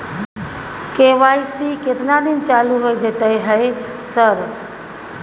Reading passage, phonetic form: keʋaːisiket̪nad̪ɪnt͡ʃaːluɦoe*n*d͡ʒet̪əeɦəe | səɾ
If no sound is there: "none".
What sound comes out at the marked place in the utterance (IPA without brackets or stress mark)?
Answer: none